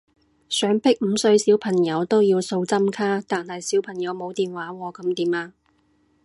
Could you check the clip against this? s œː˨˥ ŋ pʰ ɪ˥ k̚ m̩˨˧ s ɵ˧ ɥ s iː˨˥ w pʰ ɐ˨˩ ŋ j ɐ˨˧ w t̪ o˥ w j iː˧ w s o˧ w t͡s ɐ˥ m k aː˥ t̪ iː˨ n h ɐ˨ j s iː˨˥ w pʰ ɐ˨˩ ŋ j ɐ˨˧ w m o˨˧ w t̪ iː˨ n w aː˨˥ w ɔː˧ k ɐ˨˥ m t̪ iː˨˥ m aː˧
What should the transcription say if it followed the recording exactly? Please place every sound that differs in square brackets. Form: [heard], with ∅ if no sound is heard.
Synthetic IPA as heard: s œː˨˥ ŋ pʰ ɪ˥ k̚ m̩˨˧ s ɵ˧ ɥ s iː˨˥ w pʰ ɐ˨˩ ŋ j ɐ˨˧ w t̪ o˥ w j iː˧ w s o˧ w t͡s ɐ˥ m [kʰ] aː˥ t̪ [aː˨] n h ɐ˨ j s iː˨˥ w pʰ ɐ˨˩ ŋ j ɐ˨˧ w m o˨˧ w t̪ iː˨ n w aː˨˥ w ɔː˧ k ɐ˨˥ m t̪ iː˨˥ m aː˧

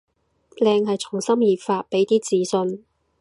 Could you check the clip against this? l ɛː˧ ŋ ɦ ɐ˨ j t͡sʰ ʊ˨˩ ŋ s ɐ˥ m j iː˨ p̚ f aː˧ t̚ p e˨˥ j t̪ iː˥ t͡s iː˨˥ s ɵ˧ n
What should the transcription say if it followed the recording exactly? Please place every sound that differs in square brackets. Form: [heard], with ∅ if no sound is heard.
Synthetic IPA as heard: l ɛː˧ ŋ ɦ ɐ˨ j t͡sʰ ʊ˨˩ ŋ s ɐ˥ m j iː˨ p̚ f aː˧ t̚ p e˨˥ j t̪ iː˥ t͡s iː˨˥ s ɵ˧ n

